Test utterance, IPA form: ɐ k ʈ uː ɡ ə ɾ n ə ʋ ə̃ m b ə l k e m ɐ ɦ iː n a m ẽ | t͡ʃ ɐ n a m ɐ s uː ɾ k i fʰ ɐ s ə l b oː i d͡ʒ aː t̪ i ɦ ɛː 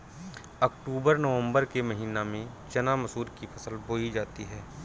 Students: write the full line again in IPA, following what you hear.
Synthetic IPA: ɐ k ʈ uː b ə ɾ n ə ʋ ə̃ m b ə ɾ k e m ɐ ɦ iː n a m ẽ | t͡ʃ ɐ n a m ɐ s uː ɾ k i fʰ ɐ s ə l b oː i d͡ʒ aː t̪ i ɦ ɛː

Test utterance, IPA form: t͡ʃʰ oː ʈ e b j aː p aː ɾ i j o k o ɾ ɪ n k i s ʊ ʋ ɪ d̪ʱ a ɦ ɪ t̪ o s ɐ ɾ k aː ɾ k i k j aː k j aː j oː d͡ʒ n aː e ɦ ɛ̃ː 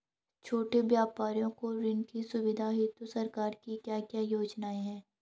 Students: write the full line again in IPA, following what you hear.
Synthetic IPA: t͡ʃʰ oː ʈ e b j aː p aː ɾ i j õ k o ɾ ɪ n k i s ʊ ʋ ɪ d̪ʱ a ɦ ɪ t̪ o s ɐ ɾ k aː ɾ k i k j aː k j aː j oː d͡ʒ n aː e ɦ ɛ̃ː

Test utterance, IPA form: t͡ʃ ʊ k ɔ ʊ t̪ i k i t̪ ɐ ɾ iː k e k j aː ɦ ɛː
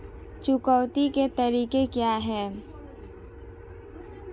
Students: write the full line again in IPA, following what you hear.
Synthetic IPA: t͡ʃ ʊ k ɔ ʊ t̪ i k e t̪ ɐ ɾ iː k e k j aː ɦ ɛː

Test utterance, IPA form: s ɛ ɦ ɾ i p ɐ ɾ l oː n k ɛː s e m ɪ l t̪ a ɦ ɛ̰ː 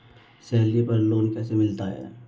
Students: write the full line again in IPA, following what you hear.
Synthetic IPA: s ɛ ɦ l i p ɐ ɾ l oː n k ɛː s e m ɪ l t̪ a ɦ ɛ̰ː

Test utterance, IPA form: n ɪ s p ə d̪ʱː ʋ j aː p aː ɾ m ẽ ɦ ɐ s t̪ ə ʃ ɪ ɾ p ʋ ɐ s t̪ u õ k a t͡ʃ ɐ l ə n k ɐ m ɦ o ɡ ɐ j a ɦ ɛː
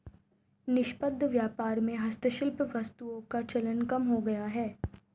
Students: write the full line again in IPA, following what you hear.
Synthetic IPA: n ɪ ʃ p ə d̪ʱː ʋ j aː p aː ɾ m ẽ ɦ ɐ s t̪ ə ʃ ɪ l p ʋ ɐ s t̪ u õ k a t͡ʃ ɐ l ə n k ɐ m ɦ o ɡ ɐ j a ɦ ɛː

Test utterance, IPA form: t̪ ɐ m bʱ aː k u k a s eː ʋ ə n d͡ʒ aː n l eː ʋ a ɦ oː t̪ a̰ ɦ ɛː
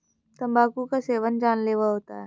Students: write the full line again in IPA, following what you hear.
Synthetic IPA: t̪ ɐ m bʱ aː k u k a s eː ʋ ə n d͡ʒ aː n l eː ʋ a ɦ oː t̪ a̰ ɦ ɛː

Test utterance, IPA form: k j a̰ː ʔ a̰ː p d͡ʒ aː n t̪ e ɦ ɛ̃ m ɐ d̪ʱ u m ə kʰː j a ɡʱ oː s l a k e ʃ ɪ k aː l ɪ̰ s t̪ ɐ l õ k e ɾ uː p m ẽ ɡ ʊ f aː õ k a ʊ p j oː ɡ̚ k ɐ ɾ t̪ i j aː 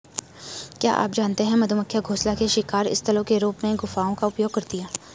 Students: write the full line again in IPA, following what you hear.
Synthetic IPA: k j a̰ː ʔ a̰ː p d͡ʒ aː n t̪ e ɦ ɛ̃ m ɐ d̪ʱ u m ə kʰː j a ɡʱ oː s l a k e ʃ ɪ k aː ɾ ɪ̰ s t̪ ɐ l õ k e ɾ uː p m ẽ ɡ ʊ f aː õ k a ʊ p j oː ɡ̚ k ɐ ɾ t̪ i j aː

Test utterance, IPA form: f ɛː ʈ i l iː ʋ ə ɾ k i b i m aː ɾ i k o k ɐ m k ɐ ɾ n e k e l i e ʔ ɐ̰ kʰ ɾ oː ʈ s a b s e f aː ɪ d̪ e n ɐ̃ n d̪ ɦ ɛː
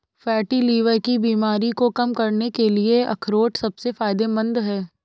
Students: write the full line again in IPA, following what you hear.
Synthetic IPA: f ɛː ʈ i l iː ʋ ə ɾ k i b iː m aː ɾ i k o k ɐ m k ɐ ɾ n e k e l i e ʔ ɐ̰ kʰ ɾ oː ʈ s ɐ b s e f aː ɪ d̪ e m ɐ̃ n d̪ ɦ ɛː

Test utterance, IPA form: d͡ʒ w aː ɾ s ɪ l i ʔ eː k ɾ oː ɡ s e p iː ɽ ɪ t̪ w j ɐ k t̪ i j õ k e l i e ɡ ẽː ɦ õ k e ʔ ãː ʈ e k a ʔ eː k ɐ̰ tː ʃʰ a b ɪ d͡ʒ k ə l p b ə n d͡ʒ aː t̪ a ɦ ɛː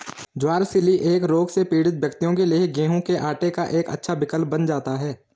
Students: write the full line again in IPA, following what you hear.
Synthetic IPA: d͡ʒ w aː ɾ s ɪ l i ʔ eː k ɾ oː ɡ s e p iː ɽ ɪ t̪ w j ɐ k t̪ i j õ k e l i e ɡ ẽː ɦ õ k e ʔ aː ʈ e k a ʔ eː k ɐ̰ tː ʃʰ a b ɪ k ə l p b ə n d͡ʒ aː t̪ a ɦ ɛː

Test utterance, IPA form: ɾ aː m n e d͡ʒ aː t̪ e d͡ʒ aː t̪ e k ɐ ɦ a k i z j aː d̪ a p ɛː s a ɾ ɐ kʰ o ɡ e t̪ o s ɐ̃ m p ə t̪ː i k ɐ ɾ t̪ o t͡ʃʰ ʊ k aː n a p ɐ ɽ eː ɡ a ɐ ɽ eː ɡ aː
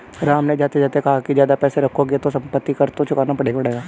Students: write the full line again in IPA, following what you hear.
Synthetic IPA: ɾ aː m n e d͡ʒ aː t̪ e d͡ʒ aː t̪ e k ɐ ɦ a k i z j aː d̪ a p ɛː s e ɾ ɐ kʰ o ɡ e t̪ o s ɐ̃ m p ə t̪ː i k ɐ ɾ t̪ o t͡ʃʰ ʊ k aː n a p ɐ ɽ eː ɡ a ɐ ɽ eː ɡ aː

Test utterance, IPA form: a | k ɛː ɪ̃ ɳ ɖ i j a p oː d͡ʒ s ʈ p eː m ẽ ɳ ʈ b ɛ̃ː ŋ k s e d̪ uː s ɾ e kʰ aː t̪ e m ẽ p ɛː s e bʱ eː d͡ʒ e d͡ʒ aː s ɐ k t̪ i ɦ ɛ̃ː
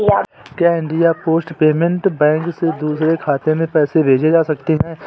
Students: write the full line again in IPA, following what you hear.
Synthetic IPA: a | k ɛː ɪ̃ ɳ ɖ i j a p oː s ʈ p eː m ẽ ɳ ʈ b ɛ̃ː ŋ k s e d̪ uː s ɾ e kʰ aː t̪ e m ẽ p ɛː s e bʱ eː d͡ʒ e d͡ʒ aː s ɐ k t̪ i ɦ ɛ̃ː

